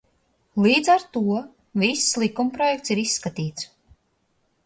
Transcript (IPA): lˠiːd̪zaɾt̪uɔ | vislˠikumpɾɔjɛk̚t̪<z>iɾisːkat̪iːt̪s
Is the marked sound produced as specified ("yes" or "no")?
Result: no